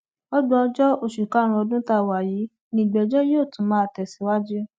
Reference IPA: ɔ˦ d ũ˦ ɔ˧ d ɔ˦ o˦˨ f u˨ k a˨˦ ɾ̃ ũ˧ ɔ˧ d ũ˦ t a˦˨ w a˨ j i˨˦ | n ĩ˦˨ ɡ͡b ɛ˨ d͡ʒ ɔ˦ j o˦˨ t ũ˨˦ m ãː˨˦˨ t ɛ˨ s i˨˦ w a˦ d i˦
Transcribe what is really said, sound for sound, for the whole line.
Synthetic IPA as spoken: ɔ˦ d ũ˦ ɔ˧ d͡ʒ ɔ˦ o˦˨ ʃ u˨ k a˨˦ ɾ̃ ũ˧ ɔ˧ d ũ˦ t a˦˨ w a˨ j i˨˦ | n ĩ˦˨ ɡ͡b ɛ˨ d͡ʒ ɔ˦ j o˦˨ t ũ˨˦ m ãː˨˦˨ t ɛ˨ s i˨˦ w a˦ d͡ʒ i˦